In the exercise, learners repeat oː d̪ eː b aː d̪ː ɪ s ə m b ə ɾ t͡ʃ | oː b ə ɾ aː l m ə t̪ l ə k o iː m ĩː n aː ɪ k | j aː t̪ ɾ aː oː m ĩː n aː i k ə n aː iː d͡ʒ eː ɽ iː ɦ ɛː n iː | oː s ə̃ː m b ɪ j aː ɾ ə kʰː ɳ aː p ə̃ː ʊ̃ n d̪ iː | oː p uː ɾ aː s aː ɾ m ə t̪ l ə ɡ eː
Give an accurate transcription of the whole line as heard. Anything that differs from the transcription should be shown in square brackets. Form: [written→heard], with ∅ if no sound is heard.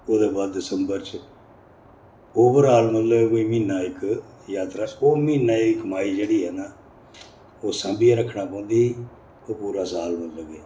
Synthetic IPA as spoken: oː d̪ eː b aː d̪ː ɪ s ə m b ə ɾ t͡ʃ | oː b ə ɾ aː l m ə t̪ l ə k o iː m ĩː n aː ɪ k | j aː t̪ ɾ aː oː m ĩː n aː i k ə [n→m] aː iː d͡ʒ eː ɽ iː ɦ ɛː n [iː→aː] | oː s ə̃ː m b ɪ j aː ɾ ə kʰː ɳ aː p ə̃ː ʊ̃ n d̪ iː | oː p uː ɾ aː s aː [ɾ→l] m ə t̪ l ə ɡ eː